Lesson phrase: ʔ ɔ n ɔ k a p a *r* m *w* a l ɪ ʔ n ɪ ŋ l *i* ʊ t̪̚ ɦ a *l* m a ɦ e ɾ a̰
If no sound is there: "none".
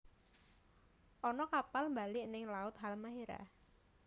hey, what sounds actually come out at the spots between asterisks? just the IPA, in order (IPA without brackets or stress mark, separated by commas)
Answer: l, b, a, l